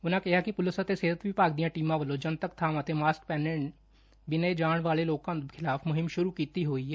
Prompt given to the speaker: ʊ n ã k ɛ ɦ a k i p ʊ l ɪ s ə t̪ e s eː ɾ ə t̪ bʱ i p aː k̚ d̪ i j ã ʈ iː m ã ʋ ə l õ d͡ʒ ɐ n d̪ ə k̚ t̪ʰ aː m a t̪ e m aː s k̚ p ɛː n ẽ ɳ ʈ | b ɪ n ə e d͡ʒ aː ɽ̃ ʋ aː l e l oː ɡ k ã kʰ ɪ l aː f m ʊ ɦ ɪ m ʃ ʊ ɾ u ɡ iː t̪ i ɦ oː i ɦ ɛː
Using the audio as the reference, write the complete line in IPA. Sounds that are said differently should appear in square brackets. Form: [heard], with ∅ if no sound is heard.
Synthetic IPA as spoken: ʊ n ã k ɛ ɦ a k i p ʊ l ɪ s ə t̪ e s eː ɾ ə t̪ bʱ i p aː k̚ d̪ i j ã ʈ iː m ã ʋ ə l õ d͡ʒ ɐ n [t̪] ə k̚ t̪ʰ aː m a t̪ e m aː s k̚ p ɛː n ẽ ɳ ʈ | b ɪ n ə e d͡ʒ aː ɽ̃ ʋ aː l e l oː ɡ k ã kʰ ɪ l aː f m ʊ ɦ ɪ m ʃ ʊ ɾ u [k] iː t̪ i ɦ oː i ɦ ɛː